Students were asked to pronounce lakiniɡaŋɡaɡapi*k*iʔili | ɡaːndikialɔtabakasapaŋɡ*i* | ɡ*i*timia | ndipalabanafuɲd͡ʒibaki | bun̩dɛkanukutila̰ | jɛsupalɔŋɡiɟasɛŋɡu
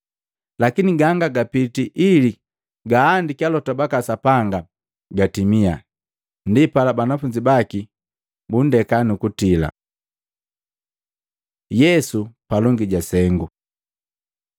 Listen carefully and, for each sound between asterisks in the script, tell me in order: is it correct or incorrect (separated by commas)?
incorrect, incorrect, incorrect